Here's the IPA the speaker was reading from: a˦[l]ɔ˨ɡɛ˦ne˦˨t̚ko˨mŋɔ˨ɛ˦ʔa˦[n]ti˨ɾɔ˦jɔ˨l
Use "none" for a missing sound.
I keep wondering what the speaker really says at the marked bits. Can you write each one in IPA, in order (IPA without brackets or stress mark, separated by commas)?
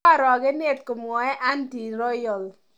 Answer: ɾ, n